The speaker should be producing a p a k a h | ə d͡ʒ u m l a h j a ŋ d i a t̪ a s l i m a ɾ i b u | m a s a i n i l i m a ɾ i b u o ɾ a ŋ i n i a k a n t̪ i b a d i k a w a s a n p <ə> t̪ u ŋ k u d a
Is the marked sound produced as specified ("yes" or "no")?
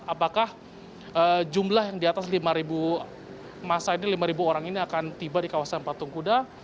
no